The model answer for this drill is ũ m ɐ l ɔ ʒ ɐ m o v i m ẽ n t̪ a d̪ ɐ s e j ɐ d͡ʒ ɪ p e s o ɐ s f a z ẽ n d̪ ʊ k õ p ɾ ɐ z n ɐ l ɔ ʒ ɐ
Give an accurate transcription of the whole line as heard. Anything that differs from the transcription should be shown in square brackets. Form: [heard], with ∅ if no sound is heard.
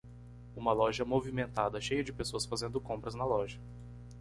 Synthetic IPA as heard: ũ m ɐ l ɔ ʒ ɐ m o v i m ẽ n t̪ a d̪ ɐ [ʃ] e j ɐ d͡ʒ ɪ p e s o ɐ s f a z ẽ n d̪ ʊ k õ p ɾ ɐ z n ɐ l ɔ ʒ ɐ

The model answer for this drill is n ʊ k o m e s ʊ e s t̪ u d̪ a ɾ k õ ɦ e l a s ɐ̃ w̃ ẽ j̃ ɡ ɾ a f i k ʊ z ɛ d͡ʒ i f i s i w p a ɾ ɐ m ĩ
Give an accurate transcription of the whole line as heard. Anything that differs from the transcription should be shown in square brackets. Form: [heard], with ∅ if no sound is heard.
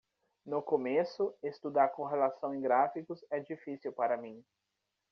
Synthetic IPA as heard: n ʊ k o m e s ʊ e s t̪ u d̪ a ɾ k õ ɦ e l a s ɐ̃ w̃ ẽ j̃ ɡ ɾ a f i k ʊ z ɛ d͡ʒ i f i s i w p a ɾ ɐ m ĩ

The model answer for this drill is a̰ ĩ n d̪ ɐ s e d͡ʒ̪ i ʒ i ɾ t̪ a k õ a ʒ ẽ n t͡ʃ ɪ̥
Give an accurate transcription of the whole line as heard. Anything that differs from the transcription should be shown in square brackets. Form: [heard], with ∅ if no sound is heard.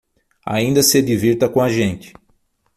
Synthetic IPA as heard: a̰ ĩ n d̪ ɐ s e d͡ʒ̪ i [v] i ɾ t̪ [ɐ] k õ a ʒ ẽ n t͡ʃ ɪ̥

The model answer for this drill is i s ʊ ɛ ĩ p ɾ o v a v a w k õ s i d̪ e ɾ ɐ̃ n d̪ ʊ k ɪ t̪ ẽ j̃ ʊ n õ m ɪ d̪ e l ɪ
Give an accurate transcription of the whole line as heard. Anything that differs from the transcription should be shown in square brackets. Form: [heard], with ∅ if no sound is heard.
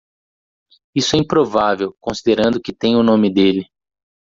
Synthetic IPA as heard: i s ʊ ɛ ĩ p ɾ o v a v [e] w k õ s i d̪ e ɾ ɐ̃ n d̪ ʊ k ɪ t̪ ẽ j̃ ʊ n õ m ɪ d̪ e l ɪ

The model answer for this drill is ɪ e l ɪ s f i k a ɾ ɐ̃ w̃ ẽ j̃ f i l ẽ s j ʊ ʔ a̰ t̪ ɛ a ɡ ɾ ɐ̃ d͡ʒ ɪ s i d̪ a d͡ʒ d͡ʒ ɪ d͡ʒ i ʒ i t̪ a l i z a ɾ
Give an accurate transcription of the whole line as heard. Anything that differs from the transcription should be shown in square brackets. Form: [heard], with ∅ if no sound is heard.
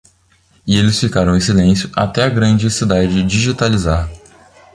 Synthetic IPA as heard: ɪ e l ɪ s f i k a ɾ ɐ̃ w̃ ẽ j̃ [s] i l ẽ s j ʊ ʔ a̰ t̪ ɛ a ɡ ɾ ɐ̃ d͡ʒ ɪ s i d̪ a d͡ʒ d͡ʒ ɪ d͡ʒ i ʒ i t̪ a l i z a ɾ

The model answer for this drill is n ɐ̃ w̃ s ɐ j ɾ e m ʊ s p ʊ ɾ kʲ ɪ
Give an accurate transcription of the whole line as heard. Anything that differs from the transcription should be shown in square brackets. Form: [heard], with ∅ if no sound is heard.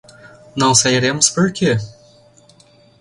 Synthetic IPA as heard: n ɐ̃ w̃ s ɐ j ɾ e m ʊ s p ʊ ɾ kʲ ɪ

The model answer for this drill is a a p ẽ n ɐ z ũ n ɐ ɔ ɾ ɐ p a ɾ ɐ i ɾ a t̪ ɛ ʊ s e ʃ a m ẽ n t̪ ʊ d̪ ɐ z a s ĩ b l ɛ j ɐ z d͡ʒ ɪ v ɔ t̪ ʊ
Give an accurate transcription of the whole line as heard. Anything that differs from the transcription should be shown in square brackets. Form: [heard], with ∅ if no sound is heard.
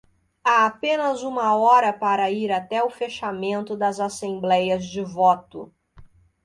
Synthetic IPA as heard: a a p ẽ n ɐ z ũ [m] ɐ ɔ ɾ ɐ p a ɾ ɐ i ɾ a t̪ ɛ ʊ [f] e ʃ a m ẽ n t̪ ʊ d̪ ɐ z a s [ẽ] b l ɛ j ɐ z d͡ʒ ɪ v ɔ t̪ ʊ

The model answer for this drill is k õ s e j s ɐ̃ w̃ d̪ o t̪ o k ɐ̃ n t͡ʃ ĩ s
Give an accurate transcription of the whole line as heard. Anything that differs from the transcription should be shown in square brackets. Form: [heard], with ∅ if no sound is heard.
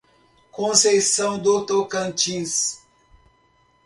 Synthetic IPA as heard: k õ s e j s ɐ̃ w̃ d̪ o t̪ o k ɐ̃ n t͡ʃ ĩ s

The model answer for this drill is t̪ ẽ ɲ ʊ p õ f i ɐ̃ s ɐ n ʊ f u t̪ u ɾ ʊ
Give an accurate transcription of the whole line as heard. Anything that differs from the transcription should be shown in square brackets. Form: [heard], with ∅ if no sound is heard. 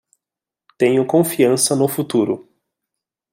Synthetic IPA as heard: t̪ ẽ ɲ ʊ [k] õ f i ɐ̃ s ɐ n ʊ f u t̪ u ɾ ʊ

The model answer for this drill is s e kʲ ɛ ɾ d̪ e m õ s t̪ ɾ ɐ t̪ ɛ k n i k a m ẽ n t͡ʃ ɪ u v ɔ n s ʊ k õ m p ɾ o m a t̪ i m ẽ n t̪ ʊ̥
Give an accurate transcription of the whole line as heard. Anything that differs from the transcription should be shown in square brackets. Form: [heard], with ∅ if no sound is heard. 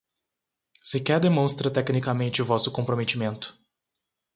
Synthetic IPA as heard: s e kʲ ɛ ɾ d̪ e m õ s t̪ ɾ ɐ t̪ ɛ k n i k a m ẽ n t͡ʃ ɪ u v ɔ [∅] s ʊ k õ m p ɾ o m [e] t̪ i m ẽ n t̪ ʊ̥

